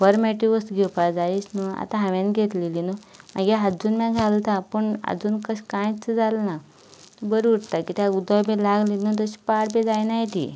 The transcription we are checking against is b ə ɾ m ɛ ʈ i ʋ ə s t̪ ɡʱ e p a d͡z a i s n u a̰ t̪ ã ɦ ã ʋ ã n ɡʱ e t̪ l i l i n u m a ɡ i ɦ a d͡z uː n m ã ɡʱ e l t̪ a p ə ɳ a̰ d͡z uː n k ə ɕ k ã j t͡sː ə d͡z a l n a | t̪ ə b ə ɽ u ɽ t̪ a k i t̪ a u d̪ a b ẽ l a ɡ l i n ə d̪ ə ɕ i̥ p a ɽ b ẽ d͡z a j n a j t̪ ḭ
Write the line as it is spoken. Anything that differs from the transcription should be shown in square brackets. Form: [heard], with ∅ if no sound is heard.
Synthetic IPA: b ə ɾ m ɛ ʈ i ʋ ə s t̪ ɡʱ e p a d͡z a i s n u a̰ t̪ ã ɦ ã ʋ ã n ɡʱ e t̪ l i l i n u m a ɡ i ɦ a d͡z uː n m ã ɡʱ [a] l t̪ a p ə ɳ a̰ d͡z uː n k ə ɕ k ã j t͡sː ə d͡z a l n a | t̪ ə b ə [ɾ] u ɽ t̪ a k i t̪ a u d̪ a b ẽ l a ɡ l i n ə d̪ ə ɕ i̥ p a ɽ b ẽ d͡z a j n a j t̪ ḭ